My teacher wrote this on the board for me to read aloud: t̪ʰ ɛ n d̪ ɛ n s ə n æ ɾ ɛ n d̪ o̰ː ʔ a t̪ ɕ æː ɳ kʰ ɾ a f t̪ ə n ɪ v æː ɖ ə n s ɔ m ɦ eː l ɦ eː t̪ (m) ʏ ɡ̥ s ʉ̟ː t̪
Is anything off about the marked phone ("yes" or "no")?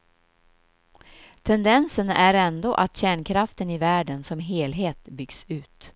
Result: yes